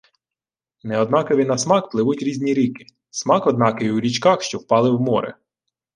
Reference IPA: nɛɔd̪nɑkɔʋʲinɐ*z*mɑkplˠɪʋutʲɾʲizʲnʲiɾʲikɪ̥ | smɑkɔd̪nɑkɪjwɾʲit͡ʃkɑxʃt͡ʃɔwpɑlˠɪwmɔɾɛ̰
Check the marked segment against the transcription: incorrect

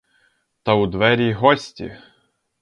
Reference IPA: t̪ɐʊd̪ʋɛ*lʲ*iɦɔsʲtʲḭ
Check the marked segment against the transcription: incorrect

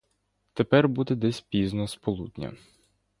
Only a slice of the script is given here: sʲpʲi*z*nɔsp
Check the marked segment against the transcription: correct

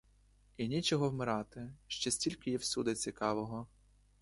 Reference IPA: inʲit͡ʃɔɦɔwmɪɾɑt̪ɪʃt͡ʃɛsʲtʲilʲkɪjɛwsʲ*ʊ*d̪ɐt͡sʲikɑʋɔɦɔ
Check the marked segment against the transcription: incorrect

